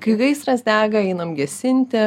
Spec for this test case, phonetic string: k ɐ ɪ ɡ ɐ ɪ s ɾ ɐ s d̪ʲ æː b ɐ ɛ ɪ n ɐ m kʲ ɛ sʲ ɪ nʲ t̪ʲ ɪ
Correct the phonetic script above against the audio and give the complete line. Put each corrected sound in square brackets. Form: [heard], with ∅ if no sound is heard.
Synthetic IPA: k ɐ ɪ ɡ ɐ ɪ s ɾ ɐ s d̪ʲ æː [ɡ] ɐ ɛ ɪ n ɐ m [ɡʲ] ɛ sʲ ɪ nʲ t̪ʲ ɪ